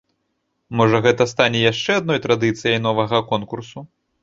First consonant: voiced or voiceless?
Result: voiced